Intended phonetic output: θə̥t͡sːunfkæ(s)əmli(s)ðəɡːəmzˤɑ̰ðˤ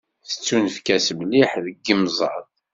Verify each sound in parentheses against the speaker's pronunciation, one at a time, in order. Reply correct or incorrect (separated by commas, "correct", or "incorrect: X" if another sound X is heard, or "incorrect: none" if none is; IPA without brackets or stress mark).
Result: correct, incorrect: ħ